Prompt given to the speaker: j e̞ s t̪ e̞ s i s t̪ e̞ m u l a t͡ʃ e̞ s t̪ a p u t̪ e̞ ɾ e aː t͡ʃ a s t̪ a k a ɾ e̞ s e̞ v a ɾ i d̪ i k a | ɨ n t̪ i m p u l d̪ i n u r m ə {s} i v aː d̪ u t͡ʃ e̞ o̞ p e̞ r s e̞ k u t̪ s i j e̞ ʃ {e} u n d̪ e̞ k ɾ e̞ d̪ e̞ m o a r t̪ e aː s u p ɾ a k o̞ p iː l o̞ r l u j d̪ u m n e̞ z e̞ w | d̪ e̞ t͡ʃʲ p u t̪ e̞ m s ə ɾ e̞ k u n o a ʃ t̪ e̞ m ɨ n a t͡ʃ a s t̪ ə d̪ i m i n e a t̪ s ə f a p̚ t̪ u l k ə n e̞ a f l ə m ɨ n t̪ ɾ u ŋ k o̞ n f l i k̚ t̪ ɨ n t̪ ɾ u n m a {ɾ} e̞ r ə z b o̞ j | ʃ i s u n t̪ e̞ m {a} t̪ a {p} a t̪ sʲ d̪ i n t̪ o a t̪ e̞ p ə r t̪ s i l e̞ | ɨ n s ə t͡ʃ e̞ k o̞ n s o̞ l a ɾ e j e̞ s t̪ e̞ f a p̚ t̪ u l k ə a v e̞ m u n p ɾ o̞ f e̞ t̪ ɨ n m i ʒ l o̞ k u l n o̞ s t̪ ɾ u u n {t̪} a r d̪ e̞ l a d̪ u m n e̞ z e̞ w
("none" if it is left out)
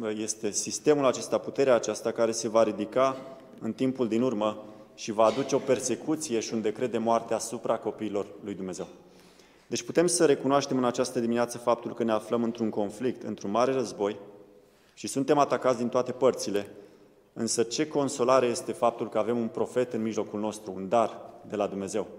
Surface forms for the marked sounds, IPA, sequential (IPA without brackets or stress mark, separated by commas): ʃ, i, ɾ, a, k, d̪